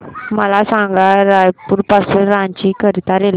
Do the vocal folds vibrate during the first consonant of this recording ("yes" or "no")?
yes